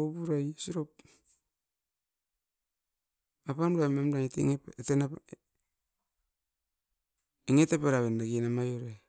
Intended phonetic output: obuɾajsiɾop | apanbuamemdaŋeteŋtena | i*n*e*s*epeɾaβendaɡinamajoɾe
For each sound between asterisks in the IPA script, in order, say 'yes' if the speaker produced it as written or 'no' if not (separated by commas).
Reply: no, no